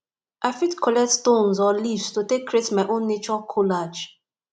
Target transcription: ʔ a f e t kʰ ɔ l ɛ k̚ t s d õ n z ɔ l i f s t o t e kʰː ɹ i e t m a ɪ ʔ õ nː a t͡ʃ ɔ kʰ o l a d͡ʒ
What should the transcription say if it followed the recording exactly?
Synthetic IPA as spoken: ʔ a f i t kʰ ɔ l ɛ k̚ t s t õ n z ɔ l i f s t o t e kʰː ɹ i e t m a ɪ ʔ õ nː e t͡ʃ ɔ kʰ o l a d͡ʒ